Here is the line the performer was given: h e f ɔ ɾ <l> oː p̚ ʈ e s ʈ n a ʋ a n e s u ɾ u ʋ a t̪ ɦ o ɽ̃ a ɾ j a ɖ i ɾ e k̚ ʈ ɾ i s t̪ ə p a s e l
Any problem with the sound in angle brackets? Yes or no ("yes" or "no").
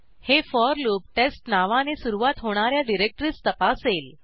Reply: no